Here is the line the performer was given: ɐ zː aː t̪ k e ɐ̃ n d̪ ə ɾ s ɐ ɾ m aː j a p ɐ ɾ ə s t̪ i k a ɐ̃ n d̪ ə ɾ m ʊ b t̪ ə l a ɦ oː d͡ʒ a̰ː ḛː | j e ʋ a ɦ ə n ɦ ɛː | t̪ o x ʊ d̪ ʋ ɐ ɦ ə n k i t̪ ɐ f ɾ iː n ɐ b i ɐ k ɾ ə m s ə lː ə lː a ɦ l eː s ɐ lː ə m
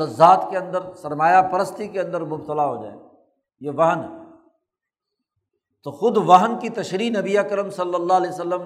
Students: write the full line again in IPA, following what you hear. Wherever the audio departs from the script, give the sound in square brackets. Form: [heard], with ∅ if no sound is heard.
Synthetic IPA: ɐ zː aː t̪ k e ɐ̃ n d̪ ə ɾ s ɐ ɾ m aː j a p ɐ ɾ ə s t̪ i k [e] ɐ̃ n d̪ ə ɾ m ʊ b t̪ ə l a ɦ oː d͡ʒ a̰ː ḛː | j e ʋ [ɐ] ɦ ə n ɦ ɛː | t̪ o x ʊ d̪ ʋ ɐ ɦ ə n k i t̪ ɐ [ʃ] ɾ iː n ɐ b i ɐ k ɾ ə m s [ɐ] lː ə lː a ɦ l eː s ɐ lː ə m